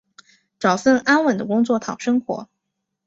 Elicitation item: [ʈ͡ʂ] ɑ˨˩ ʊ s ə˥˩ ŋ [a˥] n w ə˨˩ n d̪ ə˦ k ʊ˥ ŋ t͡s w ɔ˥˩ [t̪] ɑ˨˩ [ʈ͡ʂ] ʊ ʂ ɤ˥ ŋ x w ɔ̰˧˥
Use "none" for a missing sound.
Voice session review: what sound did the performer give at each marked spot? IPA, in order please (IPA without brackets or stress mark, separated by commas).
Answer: ʈ͡ʂ, a˥, t̪ʰ, none